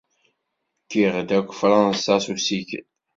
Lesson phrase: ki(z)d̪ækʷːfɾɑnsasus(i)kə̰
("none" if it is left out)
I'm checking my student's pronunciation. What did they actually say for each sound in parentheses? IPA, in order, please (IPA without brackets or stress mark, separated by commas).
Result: ʁ, i